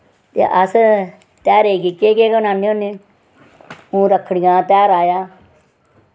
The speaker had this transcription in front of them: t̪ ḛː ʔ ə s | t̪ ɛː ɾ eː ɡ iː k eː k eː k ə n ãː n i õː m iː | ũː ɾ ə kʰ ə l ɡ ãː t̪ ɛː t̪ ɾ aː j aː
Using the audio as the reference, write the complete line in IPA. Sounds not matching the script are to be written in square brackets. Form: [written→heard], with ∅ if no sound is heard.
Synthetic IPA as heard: t̪ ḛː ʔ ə s | t̪ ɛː ɾ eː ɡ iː k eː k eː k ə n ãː n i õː [m→n] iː | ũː ɾ ə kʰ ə [l→ɽ] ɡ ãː t̪ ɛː [t̪→∅] ɾ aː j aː